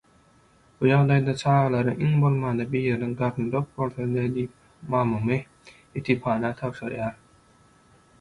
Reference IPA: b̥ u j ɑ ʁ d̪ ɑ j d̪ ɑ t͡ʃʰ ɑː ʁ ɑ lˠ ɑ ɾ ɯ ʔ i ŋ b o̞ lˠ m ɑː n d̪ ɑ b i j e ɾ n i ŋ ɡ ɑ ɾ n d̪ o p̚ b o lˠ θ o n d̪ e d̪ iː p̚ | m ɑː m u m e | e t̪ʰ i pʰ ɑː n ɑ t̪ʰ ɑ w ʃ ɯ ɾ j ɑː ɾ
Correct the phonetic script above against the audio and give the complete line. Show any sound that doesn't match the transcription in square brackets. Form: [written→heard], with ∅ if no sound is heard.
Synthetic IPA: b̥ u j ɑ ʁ d̪ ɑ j d̪ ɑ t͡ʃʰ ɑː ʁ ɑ lˠ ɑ ɾ ɯ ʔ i ŋ b o̞ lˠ m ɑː n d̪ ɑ b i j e ɾ n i ŋ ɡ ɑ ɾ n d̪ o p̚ b o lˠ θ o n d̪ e d̪ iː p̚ | m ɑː m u m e | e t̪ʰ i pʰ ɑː n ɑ t̪ʰ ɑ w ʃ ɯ ɾ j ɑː ɾ